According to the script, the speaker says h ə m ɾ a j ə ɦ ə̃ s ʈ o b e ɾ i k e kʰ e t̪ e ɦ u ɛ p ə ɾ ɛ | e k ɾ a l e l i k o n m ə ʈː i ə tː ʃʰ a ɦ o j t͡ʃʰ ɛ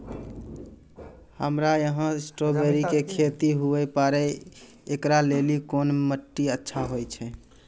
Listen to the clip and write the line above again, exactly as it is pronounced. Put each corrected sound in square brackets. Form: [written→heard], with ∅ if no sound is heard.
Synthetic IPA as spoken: h ə m ɾ a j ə ɦ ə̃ s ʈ o b e ɾ i k e kʰ e t̪ [e→i] ɦ u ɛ p [ə→a] ɾ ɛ | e k ɾ a l e l i k o n m ə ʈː i ə tː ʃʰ a ɦ o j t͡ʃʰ ɛ